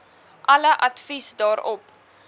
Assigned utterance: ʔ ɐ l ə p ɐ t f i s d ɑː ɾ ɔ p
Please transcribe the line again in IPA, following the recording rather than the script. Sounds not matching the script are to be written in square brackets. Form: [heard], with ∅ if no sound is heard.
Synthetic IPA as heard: ʔ ɐ l ə [ʔ] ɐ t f i s d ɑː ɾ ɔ p